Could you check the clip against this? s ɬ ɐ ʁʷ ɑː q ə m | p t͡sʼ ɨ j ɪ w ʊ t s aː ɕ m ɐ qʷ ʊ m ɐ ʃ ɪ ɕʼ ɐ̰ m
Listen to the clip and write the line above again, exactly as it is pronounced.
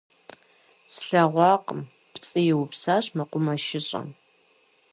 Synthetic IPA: s ɬ ɐ ʁʷ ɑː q ə m | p t͡sʼ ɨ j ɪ w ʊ p s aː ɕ m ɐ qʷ ʊ m ɐ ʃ ɪ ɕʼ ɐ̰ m